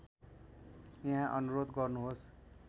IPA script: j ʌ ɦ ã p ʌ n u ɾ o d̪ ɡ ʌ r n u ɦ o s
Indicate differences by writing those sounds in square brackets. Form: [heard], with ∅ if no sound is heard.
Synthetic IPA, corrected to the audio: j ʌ ɦ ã [ʔ] ʌ n u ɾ o d̪ ɡ ʌ r n u ɦ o s

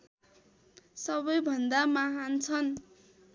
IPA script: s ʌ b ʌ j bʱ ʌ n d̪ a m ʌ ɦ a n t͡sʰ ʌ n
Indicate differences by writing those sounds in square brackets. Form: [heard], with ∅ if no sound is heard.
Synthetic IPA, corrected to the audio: s ʌ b ʌ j bʱ ʌ n d̪ a m [a] ɦ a n t͡sʰ ʌ n

